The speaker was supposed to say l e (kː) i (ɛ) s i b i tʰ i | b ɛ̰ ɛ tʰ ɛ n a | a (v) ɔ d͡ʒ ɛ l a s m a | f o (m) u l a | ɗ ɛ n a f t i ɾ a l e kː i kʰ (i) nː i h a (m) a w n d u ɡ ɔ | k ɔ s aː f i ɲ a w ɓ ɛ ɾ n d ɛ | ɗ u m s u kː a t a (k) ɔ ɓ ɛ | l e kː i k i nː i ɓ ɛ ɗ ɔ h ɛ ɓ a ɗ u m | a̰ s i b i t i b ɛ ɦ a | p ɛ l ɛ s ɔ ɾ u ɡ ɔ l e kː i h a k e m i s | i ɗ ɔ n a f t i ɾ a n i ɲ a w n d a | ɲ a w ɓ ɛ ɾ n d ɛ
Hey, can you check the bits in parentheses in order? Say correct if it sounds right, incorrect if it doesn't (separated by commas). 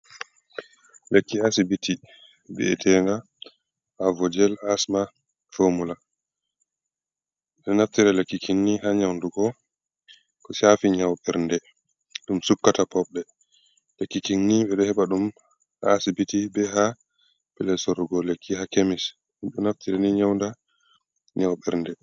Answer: correct, incorrect, correct, correct, correct, incorrect, incorrect